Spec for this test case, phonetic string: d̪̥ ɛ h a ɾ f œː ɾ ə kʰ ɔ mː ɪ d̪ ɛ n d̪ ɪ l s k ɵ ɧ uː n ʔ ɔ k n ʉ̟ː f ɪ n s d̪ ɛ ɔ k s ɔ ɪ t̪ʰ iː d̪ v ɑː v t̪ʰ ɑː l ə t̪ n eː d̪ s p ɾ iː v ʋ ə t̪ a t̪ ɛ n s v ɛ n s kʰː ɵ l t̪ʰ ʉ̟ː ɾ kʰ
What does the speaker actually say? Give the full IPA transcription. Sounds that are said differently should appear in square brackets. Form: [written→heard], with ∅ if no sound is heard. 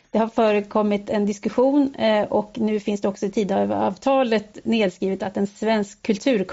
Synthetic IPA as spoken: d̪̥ ɛ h a ɾ f œː ɾ ə kʰ ɔ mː ɪ [d̪→t̪] ɛ n d̪ ɪ [l→∅] s k ɵ ɧ uː n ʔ ɔ k n ʉ̟ː f ɪ n s d̪ ɛ ɔ k s ɔ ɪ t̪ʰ iː d̪ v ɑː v t̪ʰ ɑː l ə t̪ n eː d̪ s [p→k] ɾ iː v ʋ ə t̪ a t̪ ɛ n s v ɛ n s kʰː ɵ l t̪ʰ ʉ̟ː ɾ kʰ